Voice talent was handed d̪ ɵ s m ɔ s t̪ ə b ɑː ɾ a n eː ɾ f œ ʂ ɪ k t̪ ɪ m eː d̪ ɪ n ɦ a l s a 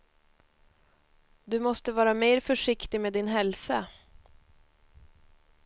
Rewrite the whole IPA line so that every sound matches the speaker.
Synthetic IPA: d̪ ɵ m ɔ s t̪ ə v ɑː ɾ a m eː ɾ f œ ʂ ɪ k t̪ ɪ m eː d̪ ɪ n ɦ ɛ l s a